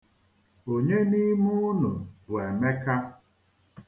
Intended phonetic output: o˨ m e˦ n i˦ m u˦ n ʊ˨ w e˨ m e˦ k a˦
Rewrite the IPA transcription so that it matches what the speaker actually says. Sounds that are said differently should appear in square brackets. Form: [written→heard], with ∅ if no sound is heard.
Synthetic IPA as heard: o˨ [m→ɲ] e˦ n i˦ m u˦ n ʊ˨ w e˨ m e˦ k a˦